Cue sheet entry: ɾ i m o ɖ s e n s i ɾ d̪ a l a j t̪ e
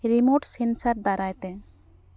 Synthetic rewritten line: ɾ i m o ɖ s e n s a ɾ d̪ a ɾ a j t̪ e